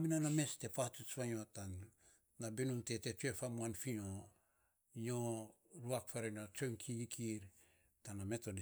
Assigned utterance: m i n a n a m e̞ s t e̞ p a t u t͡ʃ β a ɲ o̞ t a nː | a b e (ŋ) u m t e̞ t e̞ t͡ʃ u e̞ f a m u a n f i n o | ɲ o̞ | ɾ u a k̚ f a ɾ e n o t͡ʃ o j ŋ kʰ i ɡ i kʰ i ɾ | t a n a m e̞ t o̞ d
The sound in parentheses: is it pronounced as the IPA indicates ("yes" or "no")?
no